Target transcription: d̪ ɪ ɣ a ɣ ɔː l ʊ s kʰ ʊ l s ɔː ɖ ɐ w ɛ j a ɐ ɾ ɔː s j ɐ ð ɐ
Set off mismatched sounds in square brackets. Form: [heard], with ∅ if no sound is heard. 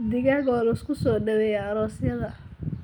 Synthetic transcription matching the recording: d̪ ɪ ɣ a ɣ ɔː l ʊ s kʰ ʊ [∅] s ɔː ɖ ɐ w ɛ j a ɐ ɾ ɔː s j ɐ ð ɐ

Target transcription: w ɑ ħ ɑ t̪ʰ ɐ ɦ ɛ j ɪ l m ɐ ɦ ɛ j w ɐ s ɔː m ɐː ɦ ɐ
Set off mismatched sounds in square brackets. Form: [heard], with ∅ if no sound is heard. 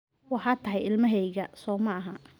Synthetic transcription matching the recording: w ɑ ħ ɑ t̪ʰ ɐ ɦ ɛ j ɪ l m ɐ ɦ ɛ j [ɣ] ɐ s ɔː m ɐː ɦ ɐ

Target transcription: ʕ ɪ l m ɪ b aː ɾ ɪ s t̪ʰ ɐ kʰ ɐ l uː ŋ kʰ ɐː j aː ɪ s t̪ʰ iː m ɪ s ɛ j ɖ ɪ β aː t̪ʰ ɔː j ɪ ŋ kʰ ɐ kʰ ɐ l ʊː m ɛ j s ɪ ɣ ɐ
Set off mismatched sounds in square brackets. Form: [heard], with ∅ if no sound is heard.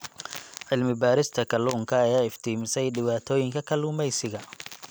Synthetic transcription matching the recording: ʕ ɪ l m ɪ b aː ɾ ɪ s t̪ʰ ɐ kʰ ɐ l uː ŋ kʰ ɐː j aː ɪ [f] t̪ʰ iː m ɪ s ɛ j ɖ ɪ β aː t̪ʰ ɔː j ɪ ŋ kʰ ɐ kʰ ɐ l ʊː m ɛ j s ɪ ɣ ɐ

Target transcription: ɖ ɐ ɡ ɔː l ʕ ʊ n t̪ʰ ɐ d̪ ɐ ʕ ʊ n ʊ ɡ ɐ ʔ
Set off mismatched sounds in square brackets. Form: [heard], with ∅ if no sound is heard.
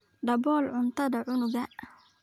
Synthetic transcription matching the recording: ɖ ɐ [b] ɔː l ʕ ʊ n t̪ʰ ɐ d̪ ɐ ʕ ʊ n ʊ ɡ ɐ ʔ

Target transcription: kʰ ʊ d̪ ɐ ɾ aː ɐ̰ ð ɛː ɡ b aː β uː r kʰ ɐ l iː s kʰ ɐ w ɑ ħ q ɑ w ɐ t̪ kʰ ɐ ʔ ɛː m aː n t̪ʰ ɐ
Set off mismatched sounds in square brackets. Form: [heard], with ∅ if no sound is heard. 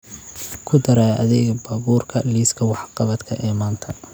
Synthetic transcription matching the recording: kʰ ʊ d̪ ɐ ɾ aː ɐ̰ ð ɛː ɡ b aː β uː r kʰ ɐ l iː s kʰ ɐ w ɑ ħ q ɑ [β] ɐ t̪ kʰ ɐ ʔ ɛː m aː n t̪ʰ ɐ

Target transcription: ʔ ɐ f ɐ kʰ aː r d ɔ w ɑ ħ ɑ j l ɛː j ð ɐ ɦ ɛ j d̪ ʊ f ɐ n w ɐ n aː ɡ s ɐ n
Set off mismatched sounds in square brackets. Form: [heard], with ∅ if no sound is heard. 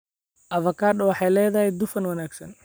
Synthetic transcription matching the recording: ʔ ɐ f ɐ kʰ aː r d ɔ w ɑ ħ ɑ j l ɛː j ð ɐ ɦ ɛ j d̪ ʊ f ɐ n w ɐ n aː ɡ s ɐ n

